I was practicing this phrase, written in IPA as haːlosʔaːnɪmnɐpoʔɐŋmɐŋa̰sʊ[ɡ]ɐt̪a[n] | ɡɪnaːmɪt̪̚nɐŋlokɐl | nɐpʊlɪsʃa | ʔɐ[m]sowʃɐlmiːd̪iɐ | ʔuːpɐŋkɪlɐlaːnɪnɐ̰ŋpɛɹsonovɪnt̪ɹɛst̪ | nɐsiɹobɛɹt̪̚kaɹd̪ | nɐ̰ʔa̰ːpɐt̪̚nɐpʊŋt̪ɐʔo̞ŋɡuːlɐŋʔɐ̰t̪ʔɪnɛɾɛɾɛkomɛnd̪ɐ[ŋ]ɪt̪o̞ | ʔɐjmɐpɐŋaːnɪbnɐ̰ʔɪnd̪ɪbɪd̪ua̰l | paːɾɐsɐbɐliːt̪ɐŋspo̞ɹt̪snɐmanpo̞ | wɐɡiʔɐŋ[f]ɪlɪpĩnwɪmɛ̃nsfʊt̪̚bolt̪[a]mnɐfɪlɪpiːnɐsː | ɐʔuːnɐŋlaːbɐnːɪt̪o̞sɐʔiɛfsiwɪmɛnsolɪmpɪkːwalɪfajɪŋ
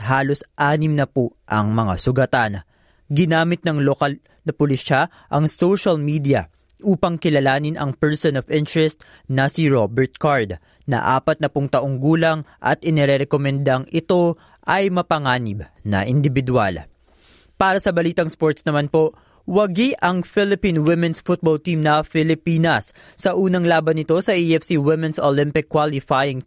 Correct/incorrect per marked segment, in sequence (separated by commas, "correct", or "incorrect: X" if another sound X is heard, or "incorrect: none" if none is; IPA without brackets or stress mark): correct, correct, incorrect: ŋ, correct, correct, incorrect: i